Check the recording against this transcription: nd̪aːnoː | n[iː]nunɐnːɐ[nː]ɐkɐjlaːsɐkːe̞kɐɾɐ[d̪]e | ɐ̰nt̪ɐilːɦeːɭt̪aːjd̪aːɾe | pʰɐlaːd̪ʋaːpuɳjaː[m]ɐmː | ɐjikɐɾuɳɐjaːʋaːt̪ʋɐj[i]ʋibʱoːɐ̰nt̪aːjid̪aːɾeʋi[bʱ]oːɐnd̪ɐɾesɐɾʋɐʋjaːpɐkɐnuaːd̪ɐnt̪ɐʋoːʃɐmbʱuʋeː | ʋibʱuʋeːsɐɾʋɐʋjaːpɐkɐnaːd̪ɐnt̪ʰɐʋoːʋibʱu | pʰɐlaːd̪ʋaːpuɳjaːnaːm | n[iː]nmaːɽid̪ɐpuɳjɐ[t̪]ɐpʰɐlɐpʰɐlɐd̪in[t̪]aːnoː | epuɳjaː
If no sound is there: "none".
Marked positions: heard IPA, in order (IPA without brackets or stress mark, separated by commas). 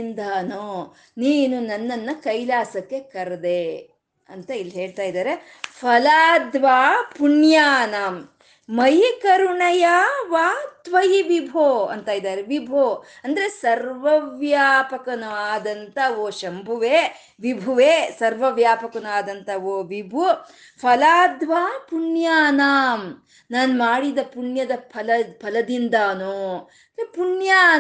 iː, nː, d̪, n, i, bʱ, aː, d̪, d̪